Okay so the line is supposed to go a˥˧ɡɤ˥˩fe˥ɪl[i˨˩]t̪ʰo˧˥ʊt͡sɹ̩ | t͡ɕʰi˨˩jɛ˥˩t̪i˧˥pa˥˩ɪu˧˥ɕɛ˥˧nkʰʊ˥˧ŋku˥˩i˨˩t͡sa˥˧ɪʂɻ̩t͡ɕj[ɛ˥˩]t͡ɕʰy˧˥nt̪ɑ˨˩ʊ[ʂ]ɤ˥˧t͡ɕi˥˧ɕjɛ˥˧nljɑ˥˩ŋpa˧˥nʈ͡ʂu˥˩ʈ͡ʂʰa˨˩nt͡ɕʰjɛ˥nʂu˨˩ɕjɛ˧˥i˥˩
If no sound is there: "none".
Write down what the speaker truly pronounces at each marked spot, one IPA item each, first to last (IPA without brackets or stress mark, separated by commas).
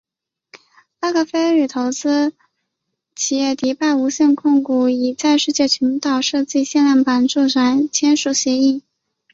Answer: y˨˩, ɛ˥˩, ʂ